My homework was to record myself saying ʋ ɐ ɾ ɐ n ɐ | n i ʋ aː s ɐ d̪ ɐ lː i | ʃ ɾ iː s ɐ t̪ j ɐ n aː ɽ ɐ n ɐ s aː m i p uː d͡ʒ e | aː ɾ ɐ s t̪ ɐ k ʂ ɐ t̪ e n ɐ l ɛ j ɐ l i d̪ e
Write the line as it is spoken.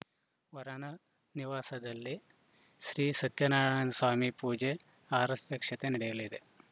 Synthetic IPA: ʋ ɐ ɾ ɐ n ɐ | n i ʋ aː s ɐ d̪ ɐ lː i | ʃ ɾ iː s ɐ t̪ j ɐ n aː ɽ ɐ n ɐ s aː m i p uː d͡ʒ e | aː ɾ ɐ s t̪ ɐ k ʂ ɐ t̪ e n ɐ ɽ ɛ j ɐ l i d̪ e